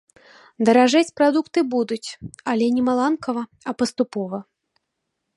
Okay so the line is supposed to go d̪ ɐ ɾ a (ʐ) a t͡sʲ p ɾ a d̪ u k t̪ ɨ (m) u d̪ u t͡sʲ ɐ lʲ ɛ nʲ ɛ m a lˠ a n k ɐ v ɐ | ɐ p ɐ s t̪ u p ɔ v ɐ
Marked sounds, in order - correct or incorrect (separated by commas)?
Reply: correct, incorrect